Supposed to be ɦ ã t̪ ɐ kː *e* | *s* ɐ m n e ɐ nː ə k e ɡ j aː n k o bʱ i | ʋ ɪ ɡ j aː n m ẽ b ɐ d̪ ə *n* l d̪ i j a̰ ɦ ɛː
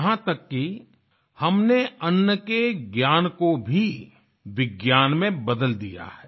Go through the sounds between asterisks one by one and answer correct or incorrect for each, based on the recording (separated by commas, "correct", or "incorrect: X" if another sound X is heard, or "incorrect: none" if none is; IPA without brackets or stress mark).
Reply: incorrect: i, incorrect: h, incorrect: none